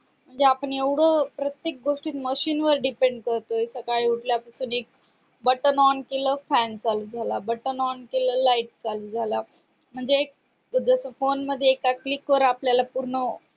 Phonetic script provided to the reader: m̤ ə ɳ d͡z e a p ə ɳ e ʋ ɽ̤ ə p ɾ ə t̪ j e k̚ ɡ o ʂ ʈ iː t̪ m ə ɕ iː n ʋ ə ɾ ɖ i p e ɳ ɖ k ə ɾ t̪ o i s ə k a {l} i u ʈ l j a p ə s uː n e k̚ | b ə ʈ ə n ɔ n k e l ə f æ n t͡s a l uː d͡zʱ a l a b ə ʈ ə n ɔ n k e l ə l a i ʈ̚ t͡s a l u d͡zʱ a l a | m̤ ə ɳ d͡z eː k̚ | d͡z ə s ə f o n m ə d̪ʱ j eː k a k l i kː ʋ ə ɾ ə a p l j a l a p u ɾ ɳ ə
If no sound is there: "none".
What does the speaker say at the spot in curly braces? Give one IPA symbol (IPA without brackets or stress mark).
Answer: ɭ